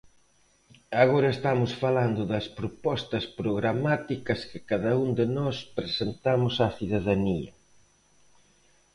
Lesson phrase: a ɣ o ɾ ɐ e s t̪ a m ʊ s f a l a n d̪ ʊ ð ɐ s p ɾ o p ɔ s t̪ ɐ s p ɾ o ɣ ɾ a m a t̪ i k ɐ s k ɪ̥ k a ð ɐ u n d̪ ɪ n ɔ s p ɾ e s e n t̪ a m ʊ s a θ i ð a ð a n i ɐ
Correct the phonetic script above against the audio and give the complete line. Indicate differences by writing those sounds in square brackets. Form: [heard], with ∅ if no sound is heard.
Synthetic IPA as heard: a ɣ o ɾ ɐ e s t̪ a m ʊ s f a l a n d̪ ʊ ð ɐ s p ɾ o p ɔ s t̪ ɐ s p ɾ o ɣ ɾ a m a t̪ i k ɐ s k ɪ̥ k a ð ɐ u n d̪ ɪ n ɔ s p ɾ e s e n t̪ a m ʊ s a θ i ð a ð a n i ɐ